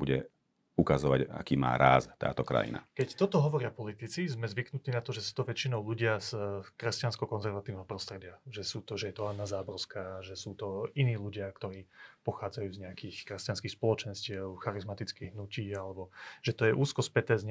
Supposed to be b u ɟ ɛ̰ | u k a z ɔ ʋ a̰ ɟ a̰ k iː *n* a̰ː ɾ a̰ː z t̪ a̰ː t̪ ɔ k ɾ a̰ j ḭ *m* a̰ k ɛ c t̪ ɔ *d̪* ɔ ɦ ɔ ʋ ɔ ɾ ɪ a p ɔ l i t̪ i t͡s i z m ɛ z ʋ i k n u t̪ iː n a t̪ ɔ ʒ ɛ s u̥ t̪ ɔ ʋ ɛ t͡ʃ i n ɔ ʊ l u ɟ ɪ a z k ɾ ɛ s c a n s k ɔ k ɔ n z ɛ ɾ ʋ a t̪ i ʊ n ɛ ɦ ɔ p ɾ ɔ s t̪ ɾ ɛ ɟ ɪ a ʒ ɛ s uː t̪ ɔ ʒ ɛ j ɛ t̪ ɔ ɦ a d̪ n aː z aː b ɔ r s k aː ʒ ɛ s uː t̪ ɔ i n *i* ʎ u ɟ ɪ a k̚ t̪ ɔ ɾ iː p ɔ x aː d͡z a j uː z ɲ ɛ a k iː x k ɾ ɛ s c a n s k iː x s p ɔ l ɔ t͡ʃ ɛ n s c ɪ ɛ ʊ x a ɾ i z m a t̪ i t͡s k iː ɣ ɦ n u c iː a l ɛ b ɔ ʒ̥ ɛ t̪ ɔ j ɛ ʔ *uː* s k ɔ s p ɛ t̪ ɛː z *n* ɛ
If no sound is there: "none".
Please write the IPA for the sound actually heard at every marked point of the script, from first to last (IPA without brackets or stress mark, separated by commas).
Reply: m, n, t̪, iː, uː, ɲ